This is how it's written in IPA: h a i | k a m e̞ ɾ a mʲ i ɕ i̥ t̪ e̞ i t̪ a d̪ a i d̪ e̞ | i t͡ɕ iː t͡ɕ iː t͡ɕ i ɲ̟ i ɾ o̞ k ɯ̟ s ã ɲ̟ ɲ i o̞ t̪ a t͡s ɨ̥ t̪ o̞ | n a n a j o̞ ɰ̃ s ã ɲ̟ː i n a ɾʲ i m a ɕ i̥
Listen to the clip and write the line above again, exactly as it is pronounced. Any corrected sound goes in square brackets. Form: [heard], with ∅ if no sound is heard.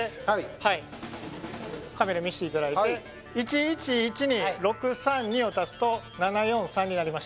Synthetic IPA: h a i | k a m e̞ ɾ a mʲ i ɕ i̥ t̪ e̞ i t̪ a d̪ a i [t̪] e̞ | i t͡ɕ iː t͡ɕ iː t͡ɕ i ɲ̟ i ɾ o̞ k ɯ̟ s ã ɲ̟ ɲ i o̞ t̪ a t͡s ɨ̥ t̪ o̞ | n a n a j [õ̞] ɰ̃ s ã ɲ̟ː i n a ɾʲ i m a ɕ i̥